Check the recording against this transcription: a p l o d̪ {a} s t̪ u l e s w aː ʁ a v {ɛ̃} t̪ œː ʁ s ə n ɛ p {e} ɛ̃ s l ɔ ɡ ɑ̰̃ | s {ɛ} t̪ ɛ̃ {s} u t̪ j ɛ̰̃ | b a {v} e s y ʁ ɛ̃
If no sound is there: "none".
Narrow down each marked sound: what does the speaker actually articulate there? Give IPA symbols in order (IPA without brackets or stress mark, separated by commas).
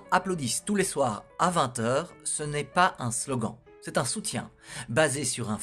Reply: i, ɛ̃, a, ɛ, s, z